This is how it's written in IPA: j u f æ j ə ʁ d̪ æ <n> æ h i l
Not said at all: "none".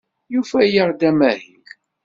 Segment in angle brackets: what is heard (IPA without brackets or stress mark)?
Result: m